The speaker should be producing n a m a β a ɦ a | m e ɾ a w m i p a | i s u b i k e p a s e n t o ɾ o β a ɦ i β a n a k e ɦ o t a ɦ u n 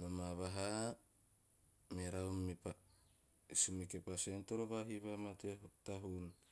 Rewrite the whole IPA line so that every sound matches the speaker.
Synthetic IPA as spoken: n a m a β a ɦ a | m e ɾ a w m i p a | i s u m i k e p a s e n t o ɾ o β a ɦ i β a m a t e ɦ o t a ɦ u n